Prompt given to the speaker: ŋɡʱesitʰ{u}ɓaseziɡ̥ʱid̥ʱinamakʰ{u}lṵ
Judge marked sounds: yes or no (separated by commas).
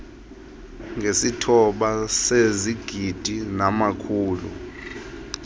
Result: no, no